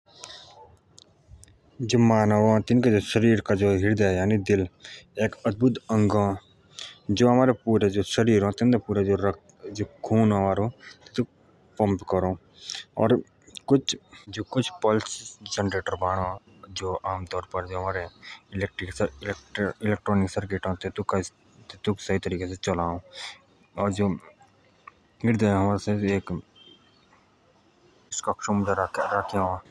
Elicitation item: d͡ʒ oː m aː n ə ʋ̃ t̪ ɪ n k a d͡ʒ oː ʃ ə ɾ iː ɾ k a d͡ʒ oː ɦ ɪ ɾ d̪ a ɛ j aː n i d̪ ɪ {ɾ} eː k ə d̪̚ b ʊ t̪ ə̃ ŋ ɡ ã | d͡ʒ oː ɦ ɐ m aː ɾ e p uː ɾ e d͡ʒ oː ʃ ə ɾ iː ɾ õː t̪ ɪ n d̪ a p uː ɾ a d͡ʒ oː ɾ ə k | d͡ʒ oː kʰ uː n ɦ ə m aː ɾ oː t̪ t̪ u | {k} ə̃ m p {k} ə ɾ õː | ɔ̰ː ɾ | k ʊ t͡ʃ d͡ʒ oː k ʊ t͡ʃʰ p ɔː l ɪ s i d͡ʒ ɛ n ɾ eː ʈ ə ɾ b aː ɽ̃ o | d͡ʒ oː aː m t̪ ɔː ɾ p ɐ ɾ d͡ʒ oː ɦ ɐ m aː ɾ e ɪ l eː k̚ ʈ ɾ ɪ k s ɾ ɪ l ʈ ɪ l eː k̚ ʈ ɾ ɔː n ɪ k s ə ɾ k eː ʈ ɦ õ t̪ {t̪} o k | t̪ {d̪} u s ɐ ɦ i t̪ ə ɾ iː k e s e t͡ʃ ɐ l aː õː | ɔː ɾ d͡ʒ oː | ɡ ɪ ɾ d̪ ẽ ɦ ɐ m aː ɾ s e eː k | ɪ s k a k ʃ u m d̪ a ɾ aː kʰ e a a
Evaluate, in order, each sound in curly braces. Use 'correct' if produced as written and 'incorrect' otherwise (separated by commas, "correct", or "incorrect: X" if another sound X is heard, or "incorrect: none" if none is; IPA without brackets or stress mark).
incorrect: l, incorrect: p, correct, correct, incorrect: t̪